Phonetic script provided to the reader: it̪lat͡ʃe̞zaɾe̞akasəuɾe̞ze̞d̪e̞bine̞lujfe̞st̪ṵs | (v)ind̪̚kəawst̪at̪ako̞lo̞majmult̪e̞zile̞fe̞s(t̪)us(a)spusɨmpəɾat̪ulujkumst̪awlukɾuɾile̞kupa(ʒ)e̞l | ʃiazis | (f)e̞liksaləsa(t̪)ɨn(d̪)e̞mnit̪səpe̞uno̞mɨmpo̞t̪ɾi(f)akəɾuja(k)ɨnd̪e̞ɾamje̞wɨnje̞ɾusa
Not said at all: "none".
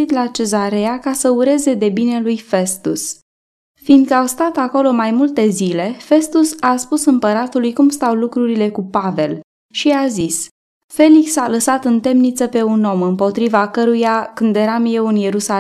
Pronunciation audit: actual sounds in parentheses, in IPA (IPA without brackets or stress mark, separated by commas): f, t̪, a, v, f, t̪, t̪, v, k